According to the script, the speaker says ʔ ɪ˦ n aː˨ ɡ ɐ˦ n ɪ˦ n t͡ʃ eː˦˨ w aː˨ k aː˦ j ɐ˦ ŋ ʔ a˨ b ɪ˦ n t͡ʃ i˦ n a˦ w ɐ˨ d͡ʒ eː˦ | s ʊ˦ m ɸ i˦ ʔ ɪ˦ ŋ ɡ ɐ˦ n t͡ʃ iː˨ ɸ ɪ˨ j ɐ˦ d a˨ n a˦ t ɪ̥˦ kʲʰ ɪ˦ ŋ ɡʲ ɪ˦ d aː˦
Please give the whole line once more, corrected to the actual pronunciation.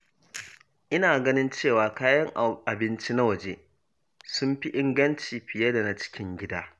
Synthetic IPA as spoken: ʔ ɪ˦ n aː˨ ɡ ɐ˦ n ɪ˦ n t͡ʃ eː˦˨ w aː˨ k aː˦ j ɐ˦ ŋ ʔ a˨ b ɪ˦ n t͡ʃ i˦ n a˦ w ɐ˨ d͡ʒ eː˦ | s ʊ˦ m ɸ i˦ ʔ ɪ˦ ŋ ɡ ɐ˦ n t͡ʃ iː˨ ɸ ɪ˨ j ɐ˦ d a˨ n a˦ t͡ʃ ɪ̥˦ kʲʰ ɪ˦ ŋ ɡʲ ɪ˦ d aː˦